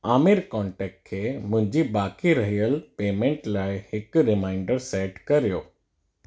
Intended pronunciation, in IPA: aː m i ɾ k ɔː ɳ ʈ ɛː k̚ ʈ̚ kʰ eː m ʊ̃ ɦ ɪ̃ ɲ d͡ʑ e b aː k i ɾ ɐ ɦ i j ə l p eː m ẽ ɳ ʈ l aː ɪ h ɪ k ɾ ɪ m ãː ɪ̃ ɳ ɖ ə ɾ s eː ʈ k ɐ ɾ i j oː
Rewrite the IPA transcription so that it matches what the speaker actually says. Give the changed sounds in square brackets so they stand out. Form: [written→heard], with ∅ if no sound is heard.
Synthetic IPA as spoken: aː m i ɾ k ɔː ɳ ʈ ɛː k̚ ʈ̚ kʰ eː m ʊ̃ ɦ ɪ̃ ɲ d͡ʑ [e→i] b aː k i ɾ ɐ ɦ i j ə l p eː m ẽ ɳ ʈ l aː ɪ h ɪ k ɾ ɪ m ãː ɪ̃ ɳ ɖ ə ɾ s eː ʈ k ɐ ɾ i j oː